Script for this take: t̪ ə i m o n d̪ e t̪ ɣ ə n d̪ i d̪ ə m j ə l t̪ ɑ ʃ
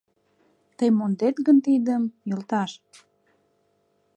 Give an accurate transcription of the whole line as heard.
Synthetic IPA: t̪ ə j m o n d̪ e t̪ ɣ ə n t̪ i d̪ ə m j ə l t̪ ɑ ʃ

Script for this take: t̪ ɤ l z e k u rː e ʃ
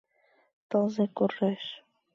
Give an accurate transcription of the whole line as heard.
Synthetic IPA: t̪ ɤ l z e k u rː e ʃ

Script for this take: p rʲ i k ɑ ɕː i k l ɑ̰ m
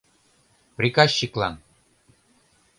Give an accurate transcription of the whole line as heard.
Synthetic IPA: p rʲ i k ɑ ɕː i k l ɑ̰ n

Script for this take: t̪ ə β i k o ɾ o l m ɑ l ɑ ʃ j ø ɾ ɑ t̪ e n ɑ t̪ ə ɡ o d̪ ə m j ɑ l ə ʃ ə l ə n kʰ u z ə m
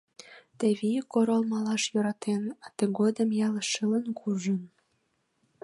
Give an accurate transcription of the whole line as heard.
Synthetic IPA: t̪ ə β i k o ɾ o l m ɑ l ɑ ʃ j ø ɾ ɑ t̪ e n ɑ t̪ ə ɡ o d̪ ə m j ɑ l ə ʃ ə l ə n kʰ u ʒ ə n

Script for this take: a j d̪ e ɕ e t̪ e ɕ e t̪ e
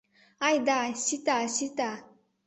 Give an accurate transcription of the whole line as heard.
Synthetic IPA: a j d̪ a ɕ i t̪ a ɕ i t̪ a

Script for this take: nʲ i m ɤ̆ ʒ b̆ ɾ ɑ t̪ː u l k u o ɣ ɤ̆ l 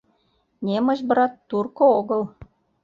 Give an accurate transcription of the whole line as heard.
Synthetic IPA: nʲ e m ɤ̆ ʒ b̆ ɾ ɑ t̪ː u r k o o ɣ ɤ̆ l

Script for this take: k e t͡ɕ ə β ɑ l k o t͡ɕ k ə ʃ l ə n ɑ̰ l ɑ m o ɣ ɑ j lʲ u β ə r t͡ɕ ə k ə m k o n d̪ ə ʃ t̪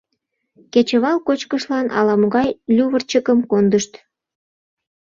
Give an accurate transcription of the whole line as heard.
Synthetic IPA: k e t͡ɕ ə β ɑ l k o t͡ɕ k ə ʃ l ɑ n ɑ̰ l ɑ m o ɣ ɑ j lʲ u β ə r t͡ɕ ə k ə m k o n d̪ ə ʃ t̪

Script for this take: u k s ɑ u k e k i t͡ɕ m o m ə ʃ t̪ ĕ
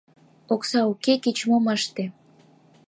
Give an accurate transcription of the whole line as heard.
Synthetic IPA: o k s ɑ u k e k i t͡ɕ m o m ə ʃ t̪ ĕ

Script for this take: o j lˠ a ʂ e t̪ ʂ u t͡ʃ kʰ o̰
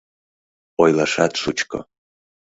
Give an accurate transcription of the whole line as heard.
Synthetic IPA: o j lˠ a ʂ a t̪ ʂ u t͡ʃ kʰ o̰

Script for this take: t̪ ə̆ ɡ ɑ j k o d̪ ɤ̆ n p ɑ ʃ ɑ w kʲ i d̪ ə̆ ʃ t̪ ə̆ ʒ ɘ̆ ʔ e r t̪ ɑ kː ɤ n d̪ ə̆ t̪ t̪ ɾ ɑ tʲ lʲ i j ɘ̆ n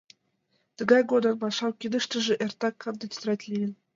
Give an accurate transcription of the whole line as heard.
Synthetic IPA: t̪ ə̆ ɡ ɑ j ɡ o d̪ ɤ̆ n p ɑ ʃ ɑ w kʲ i d̪ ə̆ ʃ t̪ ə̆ ʒ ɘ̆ ʔ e r t̪ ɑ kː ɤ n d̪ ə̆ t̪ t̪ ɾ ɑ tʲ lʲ i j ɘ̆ n

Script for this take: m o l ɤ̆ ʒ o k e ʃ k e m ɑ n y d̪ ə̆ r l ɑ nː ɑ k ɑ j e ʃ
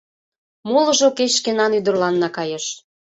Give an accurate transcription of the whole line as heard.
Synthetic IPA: m o l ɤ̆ ʒ o k e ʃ k e n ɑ n y d̪ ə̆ r l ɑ nː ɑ k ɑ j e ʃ

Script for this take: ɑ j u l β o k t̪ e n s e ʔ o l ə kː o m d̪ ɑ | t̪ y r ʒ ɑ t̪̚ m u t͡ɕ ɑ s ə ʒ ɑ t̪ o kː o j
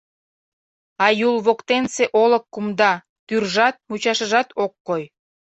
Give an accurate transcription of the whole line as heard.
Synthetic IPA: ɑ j u l β o k t̪ e n s e ʔ o l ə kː u m d̪ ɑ | t̪ y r ʒ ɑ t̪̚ m u t͡ɕ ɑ ʃ ə ʒ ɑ t̪ o kː o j

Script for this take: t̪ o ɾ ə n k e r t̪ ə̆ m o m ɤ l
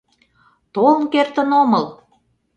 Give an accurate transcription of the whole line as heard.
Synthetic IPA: t̪ o l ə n k e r t̪ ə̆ n o m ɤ l

